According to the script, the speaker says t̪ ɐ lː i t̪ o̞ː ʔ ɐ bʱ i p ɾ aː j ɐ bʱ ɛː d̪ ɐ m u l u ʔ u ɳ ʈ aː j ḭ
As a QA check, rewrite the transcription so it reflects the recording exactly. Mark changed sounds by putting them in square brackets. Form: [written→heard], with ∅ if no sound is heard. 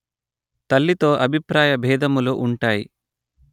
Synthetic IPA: t̪ ɐ lː i t̪ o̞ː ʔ ɐ bʱ i p ɾ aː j ɐ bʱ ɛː d̪ ɐ m u l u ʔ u ɳ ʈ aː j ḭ